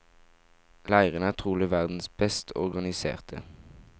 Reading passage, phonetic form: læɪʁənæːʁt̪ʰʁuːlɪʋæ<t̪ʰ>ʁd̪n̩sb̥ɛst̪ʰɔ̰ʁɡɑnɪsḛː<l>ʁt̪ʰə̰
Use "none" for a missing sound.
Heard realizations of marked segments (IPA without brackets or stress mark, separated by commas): none, none